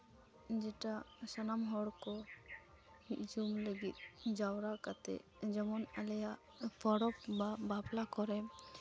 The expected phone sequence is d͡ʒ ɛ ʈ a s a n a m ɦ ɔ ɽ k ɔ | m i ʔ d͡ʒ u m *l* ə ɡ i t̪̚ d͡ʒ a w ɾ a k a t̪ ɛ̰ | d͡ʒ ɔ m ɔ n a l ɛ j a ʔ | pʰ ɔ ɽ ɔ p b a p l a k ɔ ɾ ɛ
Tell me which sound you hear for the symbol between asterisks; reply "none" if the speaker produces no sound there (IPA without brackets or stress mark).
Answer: l